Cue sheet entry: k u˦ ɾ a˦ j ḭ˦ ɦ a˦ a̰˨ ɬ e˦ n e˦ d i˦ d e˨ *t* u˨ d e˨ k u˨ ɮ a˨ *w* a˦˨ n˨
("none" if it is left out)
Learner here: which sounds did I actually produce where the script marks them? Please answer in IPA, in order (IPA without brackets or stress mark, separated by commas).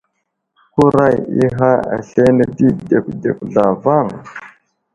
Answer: k, v